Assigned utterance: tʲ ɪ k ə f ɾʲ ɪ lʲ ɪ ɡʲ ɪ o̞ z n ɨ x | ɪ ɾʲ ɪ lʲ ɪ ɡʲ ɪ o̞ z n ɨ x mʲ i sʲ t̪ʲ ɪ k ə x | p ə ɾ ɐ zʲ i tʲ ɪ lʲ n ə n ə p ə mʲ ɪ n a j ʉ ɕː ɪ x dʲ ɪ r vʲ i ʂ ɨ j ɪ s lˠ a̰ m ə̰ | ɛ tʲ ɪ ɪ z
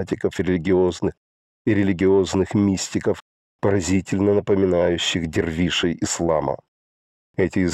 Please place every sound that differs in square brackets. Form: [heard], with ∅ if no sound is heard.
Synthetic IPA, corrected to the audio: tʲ ɪ k ə f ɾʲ ɪ lʲ ɪ ɡʲ ɪ o̞ z n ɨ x | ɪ ɾʲ ɪ lʲ ɪ ɡʲ ɪ o̞ z n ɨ x mʲ i sʲ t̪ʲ ɪ k ə [f] | p ə ɾ ɐ zʲ i tʲ ɪ lʲ n ə n ə p ə mʲ ɪ n a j ʉ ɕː ɪ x dʲ ɪ r vʲ i ʂ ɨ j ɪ s lˠ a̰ m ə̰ | ɛ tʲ ɪ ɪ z